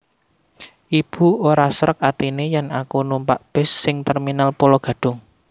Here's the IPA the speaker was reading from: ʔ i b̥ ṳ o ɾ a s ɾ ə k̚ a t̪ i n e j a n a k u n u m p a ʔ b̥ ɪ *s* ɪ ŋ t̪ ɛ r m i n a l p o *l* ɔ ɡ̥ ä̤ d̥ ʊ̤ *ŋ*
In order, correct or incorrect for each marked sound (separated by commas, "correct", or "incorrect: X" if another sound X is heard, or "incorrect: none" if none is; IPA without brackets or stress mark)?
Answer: incorrect: sː, correct, correct